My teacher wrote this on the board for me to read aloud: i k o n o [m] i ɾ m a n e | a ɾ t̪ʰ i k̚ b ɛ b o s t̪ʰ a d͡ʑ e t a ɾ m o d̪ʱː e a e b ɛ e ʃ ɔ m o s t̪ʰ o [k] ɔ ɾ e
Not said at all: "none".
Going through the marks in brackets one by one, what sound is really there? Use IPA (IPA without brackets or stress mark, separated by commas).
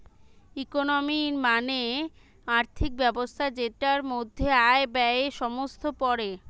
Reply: m, p